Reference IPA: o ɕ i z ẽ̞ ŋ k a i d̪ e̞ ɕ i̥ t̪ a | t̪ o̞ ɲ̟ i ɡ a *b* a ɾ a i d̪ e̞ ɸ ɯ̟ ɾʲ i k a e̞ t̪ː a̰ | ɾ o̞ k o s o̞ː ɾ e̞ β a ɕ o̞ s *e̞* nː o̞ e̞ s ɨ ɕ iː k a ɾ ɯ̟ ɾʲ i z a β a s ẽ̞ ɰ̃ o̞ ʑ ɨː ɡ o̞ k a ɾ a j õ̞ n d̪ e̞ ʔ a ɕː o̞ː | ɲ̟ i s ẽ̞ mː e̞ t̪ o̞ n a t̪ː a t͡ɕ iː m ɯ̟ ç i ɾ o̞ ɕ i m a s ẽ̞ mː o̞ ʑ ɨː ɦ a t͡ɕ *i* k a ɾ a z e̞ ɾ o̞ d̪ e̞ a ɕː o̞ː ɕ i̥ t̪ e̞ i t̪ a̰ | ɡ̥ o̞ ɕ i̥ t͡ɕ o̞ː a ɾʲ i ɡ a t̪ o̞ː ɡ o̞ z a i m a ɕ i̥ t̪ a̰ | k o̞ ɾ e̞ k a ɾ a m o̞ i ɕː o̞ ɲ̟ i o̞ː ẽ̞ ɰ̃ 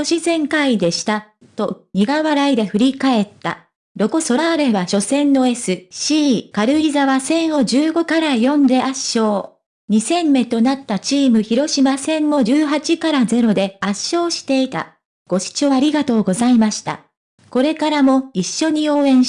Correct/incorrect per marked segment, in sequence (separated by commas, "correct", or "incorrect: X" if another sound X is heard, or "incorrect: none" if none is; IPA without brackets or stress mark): incorrect: β, incorrect: ẽ̞, correct